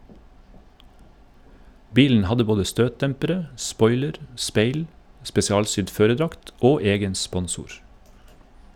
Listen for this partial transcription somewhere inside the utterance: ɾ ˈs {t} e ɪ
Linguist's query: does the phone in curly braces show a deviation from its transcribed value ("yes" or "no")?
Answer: yes